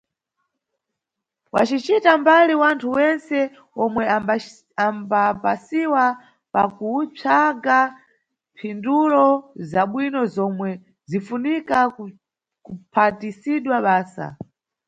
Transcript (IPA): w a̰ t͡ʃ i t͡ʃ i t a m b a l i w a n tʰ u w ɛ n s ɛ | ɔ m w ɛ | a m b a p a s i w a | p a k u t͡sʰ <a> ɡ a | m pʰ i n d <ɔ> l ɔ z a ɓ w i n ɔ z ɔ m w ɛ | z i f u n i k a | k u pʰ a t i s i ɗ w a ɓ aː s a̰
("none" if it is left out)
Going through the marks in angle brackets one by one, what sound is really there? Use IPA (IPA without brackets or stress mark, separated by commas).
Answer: a, u